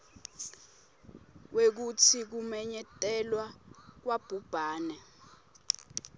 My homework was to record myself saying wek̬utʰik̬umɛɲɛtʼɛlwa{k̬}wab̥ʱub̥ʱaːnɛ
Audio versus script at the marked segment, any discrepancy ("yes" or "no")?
no